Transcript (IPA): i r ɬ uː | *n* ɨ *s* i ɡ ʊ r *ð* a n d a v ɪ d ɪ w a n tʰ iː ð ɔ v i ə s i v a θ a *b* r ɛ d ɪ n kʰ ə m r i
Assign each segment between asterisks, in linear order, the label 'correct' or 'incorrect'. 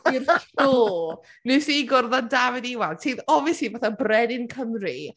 correct, correct, correct, correct

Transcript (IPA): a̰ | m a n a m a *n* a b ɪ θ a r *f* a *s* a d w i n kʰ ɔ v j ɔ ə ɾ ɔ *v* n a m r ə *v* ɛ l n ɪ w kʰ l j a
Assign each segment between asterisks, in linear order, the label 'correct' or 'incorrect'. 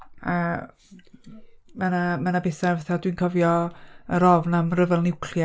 correct, incorrect, incorrect, correct, correct

